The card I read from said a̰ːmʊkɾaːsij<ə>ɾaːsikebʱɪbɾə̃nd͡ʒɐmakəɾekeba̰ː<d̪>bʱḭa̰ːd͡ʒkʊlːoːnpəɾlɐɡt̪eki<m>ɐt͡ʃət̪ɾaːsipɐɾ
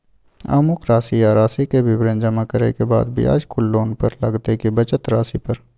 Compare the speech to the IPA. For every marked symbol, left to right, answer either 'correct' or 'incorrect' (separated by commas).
incorrect, correct, incorrect